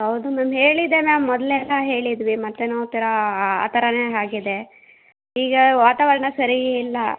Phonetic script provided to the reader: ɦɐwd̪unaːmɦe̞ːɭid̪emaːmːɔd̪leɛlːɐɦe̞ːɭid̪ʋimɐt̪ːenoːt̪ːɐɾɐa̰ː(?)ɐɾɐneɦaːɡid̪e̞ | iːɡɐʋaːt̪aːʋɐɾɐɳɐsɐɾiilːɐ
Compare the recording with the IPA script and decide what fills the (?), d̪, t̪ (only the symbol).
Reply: t̪